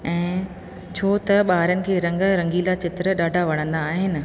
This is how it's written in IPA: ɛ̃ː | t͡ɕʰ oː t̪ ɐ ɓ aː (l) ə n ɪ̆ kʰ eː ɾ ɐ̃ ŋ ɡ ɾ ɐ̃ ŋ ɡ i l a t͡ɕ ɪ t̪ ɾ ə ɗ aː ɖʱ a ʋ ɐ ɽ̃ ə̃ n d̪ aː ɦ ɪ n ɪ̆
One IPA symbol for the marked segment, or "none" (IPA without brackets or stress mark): ɾ